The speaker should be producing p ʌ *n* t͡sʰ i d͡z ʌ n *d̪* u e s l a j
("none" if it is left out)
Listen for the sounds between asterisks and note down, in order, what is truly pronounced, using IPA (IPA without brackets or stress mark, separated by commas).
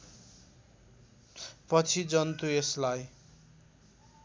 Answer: none, t̪